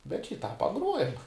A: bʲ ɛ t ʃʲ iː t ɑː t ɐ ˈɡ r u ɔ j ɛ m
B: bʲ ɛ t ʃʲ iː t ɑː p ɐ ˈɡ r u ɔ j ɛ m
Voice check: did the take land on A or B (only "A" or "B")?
B